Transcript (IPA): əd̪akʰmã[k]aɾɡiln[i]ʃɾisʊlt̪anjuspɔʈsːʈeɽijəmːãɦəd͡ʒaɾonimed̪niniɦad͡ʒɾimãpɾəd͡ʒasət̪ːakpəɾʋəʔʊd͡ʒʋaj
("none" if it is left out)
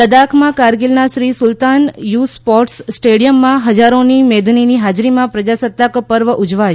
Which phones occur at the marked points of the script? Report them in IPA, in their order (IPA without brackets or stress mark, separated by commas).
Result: k, a